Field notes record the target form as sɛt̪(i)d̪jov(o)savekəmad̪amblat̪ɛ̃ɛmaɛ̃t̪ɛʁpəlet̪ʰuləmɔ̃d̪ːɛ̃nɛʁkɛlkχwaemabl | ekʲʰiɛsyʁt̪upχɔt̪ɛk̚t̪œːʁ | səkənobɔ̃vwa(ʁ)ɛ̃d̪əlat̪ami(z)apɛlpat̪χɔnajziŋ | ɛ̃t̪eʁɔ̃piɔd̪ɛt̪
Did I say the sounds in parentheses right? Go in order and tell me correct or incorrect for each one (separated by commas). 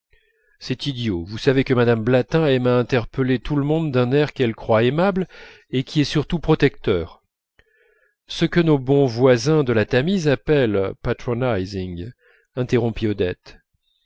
correct, incorrect, incorrect, correct